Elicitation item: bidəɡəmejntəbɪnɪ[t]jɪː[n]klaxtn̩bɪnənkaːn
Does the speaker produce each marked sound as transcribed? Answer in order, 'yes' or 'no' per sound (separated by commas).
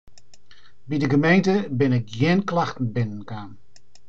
no, yes